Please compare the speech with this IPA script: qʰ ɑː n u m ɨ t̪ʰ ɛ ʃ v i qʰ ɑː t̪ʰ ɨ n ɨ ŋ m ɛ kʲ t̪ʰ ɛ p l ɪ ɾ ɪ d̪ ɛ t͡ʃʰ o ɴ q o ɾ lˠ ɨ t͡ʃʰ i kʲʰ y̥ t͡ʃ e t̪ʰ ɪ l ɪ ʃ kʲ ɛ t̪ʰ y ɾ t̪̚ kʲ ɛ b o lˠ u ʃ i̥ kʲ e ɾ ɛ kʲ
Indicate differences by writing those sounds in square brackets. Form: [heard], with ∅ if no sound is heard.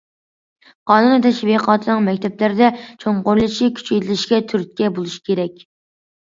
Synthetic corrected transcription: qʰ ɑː n u [n] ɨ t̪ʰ ɛ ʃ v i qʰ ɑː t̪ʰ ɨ n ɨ ŋ m ɛ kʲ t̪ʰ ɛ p l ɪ ɾ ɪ d̪ ɛ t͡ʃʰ o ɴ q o ɾ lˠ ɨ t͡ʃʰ i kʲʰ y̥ t͡ʃ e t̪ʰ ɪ l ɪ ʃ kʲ ɛ t̪ʰ y ɾ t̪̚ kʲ ɛ b o lˠ u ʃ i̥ kʲ e ɾ ɛ kʲ

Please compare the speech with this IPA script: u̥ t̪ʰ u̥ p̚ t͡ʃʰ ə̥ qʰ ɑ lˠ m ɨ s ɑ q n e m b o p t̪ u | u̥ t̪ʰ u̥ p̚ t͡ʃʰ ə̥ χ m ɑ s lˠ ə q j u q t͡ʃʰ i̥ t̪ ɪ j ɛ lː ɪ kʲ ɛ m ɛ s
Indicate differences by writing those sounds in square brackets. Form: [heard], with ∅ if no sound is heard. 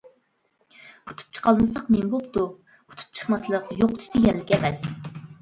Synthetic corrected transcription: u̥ t̪ʰ u̥ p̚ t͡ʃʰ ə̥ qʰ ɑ lˠ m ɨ s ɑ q n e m b o p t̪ u | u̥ t̪ʰ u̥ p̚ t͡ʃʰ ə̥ χ m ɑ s lˠ ə q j [o] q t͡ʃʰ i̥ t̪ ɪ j ɛ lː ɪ kʲ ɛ m ɛ s

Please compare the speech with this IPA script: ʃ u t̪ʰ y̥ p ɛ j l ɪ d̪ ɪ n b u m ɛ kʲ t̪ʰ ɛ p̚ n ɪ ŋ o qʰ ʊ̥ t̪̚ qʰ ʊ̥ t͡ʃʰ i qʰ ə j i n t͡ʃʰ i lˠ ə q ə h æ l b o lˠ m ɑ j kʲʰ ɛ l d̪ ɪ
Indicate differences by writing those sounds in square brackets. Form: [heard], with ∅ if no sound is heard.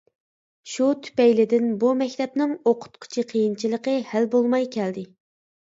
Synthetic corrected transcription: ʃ u t̪ʰ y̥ p ɛ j l ɪ d̪ ɪ n b u m ɛ kʲ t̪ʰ ɛ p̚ n ɪ ŋ o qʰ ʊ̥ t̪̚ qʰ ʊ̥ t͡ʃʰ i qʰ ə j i n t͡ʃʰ i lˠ ə q ə h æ l b o lˠ m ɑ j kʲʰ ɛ l d̪ ɪ

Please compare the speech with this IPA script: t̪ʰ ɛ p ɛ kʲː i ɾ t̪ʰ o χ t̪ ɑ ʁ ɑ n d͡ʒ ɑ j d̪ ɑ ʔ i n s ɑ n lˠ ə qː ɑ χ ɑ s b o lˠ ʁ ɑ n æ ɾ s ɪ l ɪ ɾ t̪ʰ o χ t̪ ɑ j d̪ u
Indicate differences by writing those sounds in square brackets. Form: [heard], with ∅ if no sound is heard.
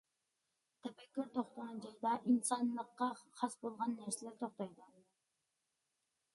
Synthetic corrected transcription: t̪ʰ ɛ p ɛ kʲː [y] ɾ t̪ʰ o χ t̪ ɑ ʁ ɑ n d͡ʒ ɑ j d̪ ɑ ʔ i n s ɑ n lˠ ə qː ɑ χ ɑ s b o lˠ ʁ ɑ [nː] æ ɾ s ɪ l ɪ ɾ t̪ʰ o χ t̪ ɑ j d̪ u

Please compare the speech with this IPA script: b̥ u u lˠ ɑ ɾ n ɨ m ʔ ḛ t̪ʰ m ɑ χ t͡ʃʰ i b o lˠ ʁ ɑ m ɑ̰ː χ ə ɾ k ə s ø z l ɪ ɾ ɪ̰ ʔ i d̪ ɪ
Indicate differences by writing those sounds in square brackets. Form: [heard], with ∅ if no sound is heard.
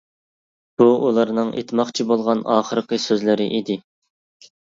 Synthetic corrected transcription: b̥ u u lˠ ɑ ɾ n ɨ [ŋ] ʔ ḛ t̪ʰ m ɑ χ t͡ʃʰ i b o lˠ ʁ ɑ [n] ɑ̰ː χ ə ɾ [q] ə s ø z l ɪ ɾ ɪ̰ ʔ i d̪ ɪ

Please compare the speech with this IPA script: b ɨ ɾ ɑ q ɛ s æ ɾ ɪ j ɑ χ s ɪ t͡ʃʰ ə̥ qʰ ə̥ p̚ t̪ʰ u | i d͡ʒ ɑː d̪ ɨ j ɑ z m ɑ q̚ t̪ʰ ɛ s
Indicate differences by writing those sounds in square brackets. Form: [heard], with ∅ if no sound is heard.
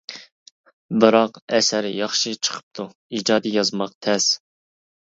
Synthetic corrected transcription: b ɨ ɾ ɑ q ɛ s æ ɾ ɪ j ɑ χ [ʃ] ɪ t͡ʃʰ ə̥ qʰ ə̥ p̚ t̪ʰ u | i d͡ʒ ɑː d̪ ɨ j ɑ z m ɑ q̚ t̪ʰ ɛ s

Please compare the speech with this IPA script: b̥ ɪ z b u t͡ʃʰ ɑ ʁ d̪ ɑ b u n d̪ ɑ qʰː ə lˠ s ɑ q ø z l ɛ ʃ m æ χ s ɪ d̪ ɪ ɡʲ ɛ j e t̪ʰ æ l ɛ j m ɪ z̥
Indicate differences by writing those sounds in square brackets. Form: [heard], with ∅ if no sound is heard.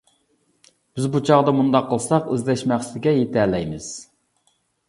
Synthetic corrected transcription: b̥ ɪ z b u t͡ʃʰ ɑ ʁ d̪ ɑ [m] u n d̪ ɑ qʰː ə lˠ s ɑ q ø z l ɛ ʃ m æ χ s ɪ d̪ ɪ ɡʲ ɛ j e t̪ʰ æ l ɛ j m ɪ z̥

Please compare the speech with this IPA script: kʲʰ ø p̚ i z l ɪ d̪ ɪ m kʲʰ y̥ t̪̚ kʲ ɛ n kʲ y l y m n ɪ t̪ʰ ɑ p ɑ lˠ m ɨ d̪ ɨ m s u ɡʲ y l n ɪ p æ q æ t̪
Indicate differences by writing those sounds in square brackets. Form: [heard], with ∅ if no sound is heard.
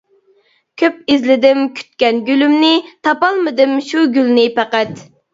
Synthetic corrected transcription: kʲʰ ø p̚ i z l ɪ d̪ ɪ m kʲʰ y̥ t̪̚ kʲ ɛ n [ɡʲ] y l y m n ɪ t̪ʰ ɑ p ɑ lˠ m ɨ d̪ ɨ m [ʃ] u ɡʲ y l n ɪ p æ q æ t̪

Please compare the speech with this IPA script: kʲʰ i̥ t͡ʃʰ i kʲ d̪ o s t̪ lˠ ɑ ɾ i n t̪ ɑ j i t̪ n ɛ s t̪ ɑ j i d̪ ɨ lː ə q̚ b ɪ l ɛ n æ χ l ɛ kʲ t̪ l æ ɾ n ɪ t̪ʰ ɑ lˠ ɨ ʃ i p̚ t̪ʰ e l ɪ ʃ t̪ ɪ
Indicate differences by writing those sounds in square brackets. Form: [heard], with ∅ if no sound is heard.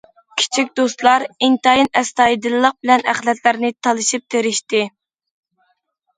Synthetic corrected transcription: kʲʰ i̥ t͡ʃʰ i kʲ d̪ o s t̪ lˠ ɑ ɾ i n t̪ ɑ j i [∅] n ɛ s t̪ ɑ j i d̪ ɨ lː ə q̚ b ɪ l ɛ n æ χ l ɛ [∅] t̪ l æ ɾ n ɪ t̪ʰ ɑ lˠ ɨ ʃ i p̚ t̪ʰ e [ɾ] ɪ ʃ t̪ ɪ

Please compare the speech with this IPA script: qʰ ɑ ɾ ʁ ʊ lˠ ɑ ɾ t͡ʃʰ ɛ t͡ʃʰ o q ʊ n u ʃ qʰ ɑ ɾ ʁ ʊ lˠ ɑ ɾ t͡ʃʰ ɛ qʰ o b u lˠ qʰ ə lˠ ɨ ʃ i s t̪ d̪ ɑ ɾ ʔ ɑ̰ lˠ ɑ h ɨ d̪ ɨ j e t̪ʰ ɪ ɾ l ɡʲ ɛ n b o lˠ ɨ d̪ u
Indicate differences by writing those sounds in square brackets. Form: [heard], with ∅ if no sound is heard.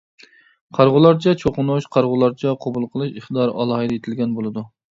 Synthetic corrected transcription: qʰ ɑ ɾ ʁ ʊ lˠ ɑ ɾ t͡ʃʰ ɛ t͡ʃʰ o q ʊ n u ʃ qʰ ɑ ɾ ʁ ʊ lˠ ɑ ɾ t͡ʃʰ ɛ qʰ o b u lˠ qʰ ə lˠ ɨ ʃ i [χ] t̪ d̪ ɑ ɾ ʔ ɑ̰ lˠ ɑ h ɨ d̪ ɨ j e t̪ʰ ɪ [∅] l ɡʲ ɛ n b o lˠ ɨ d̪ u

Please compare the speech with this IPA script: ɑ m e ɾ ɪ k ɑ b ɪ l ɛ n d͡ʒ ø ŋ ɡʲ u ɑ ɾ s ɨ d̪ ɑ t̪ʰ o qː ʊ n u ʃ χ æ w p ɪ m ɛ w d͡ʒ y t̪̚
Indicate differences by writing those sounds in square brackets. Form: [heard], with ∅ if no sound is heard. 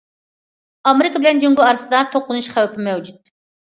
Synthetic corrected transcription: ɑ m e ɾ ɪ k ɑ b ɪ l ɛ n d͡ʒ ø ŋ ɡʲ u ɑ ɾ s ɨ d̪ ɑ t̪ʰ o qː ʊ n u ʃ χ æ w p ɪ m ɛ w d͡ʒ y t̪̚

